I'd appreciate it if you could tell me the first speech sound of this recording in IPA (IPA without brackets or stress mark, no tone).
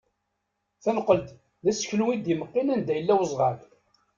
θ